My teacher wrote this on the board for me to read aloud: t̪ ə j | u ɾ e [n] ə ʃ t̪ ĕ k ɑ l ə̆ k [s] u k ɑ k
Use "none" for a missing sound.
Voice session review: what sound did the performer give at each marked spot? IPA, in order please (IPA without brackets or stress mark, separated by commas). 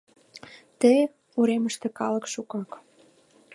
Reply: m, ʃ